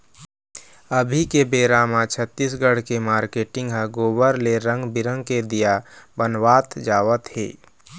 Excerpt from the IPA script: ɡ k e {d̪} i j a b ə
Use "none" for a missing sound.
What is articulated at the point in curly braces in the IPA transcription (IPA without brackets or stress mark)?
d̪